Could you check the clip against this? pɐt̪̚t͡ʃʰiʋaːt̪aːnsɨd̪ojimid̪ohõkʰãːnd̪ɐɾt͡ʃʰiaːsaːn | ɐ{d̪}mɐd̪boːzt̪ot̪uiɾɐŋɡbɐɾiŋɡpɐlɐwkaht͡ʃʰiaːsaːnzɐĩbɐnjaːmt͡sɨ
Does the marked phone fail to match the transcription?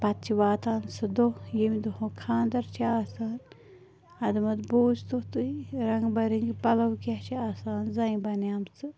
no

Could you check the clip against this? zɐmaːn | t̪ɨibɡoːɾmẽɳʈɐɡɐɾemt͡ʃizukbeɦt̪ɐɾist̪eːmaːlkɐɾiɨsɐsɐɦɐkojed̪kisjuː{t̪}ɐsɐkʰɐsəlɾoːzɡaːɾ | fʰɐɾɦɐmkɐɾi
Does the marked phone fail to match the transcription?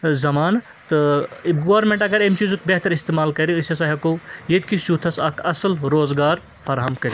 yes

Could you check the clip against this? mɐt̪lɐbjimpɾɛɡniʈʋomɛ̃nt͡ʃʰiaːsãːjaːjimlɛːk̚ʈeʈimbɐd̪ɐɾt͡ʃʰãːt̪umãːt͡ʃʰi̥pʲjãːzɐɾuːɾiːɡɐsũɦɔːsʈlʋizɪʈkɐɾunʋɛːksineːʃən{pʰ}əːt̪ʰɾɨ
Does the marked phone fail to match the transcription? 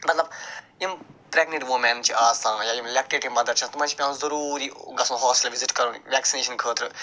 yes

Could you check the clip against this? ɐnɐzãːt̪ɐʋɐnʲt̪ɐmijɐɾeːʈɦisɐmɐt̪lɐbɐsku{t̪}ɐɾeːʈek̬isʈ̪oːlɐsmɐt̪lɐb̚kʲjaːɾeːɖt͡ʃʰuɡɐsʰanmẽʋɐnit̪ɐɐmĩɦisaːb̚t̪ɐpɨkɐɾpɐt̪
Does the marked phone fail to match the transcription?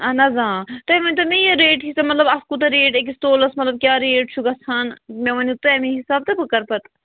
no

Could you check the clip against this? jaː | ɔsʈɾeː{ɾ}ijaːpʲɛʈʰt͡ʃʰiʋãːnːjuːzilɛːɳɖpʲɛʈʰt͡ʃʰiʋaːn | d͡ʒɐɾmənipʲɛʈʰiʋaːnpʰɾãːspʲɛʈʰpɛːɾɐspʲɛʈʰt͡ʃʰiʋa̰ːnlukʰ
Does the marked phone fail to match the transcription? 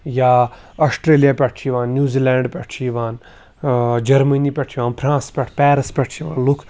yes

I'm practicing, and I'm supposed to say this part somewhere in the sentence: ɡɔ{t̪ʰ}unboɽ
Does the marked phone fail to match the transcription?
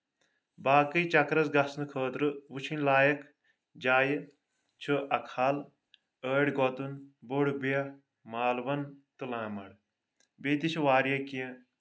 yes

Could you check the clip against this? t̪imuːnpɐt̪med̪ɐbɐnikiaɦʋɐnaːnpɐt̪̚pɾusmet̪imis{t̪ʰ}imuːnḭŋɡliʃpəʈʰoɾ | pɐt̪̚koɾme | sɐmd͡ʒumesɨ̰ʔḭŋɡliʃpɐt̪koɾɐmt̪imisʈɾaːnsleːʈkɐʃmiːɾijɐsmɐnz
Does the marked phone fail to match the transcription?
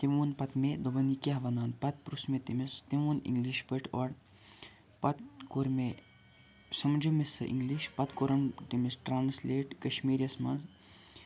yes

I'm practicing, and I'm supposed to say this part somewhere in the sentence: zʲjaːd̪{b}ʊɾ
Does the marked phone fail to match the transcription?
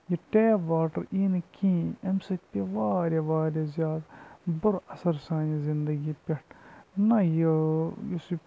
no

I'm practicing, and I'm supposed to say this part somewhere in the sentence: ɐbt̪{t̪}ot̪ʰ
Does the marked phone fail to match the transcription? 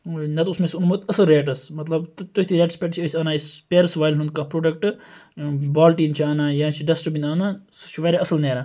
no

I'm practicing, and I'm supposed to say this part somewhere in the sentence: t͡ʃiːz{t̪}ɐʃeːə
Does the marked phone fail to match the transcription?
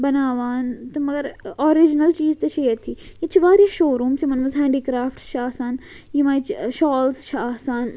no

